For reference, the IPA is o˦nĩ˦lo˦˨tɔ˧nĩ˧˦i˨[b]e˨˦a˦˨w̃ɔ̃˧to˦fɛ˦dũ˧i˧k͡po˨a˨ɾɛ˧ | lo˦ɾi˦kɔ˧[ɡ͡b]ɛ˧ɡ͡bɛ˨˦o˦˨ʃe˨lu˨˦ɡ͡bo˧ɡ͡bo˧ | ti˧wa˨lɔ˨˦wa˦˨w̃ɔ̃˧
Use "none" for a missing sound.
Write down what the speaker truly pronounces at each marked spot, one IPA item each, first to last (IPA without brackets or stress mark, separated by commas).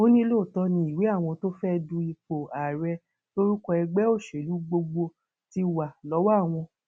w, none